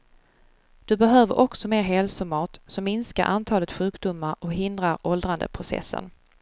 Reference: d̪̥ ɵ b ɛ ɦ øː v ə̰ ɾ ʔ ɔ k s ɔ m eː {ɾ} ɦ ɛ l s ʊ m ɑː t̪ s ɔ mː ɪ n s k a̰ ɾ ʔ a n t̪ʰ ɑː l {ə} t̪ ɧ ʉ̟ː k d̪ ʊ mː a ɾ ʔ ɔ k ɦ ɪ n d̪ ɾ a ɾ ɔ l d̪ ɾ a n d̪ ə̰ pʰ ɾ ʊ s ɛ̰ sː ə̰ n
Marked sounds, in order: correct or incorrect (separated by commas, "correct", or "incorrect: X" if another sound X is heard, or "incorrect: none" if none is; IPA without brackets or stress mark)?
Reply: correct, correct